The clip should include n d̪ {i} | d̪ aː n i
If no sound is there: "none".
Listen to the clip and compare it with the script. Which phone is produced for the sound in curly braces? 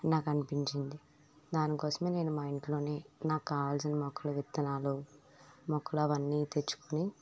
i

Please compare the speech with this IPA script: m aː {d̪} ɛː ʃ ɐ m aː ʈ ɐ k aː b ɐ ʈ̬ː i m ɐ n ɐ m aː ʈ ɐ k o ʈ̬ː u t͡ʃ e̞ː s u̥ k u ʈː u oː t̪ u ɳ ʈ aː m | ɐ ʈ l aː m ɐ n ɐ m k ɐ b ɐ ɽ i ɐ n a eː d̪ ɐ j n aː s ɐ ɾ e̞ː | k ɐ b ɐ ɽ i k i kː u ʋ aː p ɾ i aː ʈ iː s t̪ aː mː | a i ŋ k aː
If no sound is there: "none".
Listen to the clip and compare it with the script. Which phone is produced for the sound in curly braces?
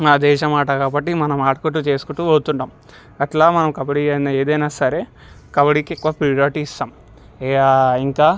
d̪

